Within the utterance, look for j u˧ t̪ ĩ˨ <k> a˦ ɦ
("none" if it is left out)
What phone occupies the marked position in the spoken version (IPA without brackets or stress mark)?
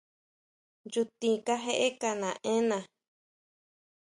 k